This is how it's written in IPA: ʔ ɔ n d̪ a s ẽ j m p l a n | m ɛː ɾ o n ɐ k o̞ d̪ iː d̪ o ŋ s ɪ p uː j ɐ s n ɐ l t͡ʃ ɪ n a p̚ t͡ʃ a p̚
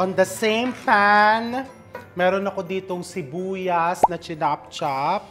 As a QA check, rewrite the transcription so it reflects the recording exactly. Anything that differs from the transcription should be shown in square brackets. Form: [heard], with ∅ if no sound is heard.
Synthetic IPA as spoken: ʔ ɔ n d̪ [ɐ] s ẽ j m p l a n | m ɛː ɾ o n ɐ k o̞ d̪ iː [t̪] o ŋ s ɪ [b] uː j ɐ s n ɐ [∅] t͡ʃ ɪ n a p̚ t͡ʃ a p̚